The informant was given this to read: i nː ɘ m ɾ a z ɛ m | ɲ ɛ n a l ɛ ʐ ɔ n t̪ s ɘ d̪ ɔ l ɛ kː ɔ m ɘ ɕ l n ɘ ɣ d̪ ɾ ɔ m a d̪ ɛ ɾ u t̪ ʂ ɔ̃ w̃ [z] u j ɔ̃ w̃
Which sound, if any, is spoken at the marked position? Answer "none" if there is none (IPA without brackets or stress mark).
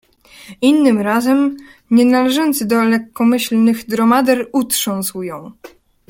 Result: s